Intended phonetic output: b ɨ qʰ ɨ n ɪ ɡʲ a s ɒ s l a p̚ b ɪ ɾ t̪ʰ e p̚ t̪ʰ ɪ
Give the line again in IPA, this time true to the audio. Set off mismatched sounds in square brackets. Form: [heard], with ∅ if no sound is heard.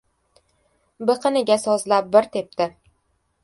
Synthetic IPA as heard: b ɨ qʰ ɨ n ɪ ɡʲ a s ɒ [z] l a p̚ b ɪ ɾ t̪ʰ e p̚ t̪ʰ ɪ